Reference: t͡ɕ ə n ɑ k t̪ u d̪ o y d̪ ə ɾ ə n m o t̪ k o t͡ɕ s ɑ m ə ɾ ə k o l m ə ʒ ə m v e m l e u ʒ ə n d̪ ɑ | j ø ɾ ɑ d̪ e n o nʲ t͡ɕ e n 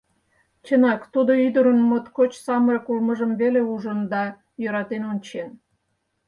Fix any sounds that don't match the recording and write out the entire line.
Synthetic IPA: t͡ɕ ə n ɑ k t̪ u d̪ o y d̪ ə ɾ ə n m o t̪ k o t͡ɕ s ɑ m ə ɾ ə k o l m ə ʒ ə m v e l e u ʒ ə n d̪ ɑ | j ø ɾ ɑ t̪ e n o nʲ t͡ɕ e n